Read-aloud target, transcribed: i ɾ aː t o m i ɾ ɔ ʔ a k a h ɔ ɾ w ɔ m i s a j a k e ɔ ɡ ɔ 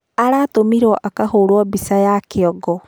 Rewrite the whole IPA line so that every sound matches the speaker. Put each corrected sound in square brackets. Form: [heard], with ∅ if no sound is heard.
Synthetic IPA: [a] ɾ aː t o m i ɾ ɔ ʔ a k a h [o] ɾ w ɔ [b] i s a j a k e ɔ ɡ ɔ